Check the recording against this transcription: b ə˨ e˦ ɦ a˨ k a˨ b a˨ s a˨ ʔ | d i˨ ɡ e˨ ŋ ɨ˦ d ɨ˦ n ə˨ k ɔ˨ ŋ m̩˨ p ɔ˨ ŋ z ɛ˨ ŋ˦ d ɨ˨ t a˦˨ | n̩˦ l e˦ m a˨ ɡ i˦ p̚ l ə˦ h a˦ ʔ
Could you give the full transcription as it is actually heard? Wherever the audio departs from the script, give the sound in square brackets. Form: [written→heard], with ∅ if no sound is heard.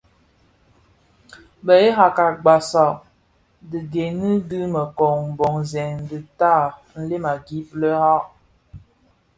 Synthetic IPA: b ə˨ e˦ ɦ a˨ k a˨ [b→ɡ͡b] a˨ s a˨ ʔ | d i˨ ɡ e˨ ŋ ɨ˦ d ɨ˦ [n→m] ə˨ k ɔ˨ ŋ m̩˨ [p→b] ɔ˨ ŋ z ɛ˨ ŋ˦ d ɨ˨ t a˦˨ | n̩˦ l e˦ m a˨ ɡ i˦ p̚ l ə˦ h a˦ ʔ